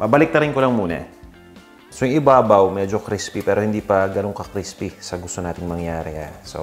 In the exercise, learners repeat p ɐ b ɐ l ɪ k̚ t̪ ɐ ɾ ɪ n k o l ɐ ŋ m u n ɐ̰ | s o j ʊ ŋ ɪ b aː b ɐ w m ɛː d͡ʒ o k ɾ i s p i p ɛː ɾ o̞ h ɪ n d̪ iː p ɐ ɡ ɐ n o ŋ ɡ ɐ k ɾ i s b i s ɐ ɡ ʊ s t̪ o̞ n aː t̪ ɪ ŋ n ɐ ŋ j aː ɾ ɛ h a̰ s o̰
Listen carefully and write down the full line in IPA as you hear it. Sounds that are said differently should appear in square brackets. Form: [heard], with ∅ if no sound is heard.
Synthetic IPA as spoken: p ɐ b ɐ l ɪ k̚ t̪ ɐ ɾ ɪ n k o l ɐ ŋ m [uː] n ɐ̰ | s o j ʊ ŋ ɪ b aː b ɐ w m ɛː d͡ʒ o k ɾ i s p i p ɛː ɾ o̞ h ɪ n d̪ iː p ɐ ɡ ɐ n o ŋ [k] ɐ k ɾ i s [p] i s ɐ ɡ ʊ s t̪ o̞ n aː t̪ ɪ ŋ [m] ɐ ŋ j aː ɾ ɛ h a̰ s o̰